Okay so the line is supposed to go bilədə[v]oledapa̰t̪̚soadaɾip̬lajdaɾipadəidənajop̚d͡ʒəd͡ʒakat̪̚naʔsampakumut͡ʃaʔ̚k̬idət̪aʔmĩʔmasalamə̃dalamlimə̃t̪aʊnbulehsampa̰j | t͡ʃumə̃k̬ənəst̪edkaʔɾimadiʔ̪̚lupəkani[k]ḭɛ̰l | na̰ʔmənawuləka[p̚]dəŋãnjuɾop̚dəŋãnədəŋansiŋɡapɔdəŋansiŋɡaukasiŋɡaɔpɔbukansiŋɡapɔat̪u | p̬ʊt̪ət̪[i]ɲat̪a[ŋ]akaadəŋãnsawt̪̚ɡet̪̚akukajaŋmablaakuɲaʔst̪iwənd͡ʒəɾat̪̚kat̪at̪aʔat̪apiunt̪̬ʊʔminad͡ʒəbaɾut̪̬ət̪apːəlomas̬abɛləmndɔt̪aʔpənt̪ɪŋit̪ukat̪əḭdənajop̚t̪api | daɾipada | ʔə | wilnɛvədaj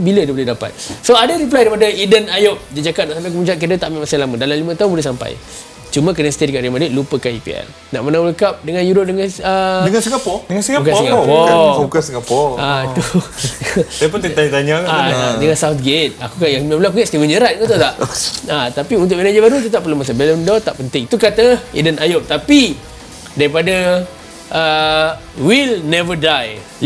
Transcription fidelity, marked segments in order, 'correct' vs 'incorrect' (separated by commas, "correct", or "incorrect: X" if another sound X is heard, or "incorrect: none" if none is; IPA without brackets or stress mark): incorrect: b, incorrect: p, correct, incorrect: a, incorrect: ɲ